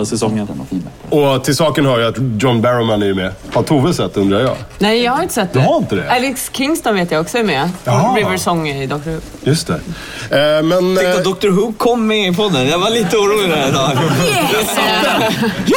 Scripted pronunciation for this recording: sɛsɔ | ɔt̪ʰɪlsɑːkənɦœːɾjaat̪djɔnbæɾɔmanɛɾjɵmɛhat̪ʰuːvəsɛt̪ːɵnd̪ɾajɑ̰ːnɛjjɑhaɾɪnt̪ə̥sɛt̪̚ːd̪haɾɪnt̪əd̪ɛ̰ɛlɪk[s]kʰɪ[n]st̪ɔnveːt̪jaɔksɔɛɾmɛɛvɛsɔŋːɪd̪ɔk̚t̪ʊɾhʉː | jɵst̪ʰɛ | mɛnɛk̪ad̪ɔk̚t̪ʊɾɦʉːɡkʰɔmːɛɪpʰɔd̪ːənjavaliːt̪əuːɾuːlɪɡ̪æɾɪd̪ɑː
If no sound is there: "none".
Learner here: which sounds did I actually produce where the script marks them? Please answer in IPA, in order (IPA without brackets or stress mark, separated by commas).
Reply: s, ŋ